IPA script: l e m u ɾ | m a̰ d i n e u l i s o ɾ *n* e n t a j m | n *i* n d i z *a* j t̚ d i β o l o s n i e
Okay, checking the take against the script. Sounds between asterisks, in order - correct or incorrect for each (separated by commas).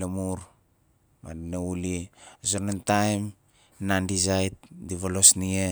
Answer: correct, incorrect, correct